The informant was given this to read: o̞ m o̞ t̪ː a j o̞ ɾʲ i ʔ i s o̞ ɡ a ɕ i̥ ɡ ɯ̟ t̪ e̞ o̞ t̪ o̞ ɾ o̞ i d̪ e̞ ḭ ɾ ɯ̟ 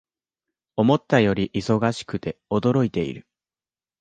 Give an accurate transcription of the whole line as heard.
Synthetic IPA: o̞ m o̞ t̪ː a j o̞ ɾʲ i ʔ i s o̞ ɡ a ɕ i̥ k ɯ̟ t̪ e̞ o̞ d̪ o̞ ɾ o̞ i t̪ e̞ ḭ ɾ ɯ̟